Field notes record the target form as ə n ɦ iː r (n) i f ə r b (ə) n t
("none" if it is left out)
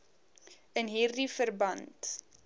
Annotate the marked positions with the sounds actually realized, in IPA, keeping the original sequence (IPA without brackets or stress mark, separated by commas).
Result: d, ɐ